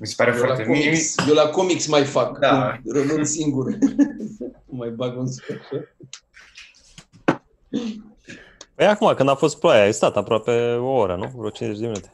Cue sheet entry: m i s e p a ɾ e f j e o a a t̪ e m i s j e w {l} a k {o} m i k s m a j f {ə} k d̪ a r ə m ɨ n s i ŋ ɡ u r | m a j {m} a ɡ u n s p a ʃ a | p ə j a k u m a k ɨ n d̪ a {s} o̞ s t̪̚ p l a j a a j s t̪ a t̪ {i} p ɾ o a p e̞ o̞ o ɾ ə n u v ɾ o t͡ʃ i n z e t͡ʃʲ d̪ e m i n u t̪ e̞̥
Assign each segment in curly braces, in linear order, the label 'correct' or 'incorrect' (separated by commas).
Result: correct, correct, incorrect, incorrect, incorrect, incorrect